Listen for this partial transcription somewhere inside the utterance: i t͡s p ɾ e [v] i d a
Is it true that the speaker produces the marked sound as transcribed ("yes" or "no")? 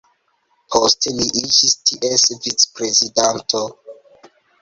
no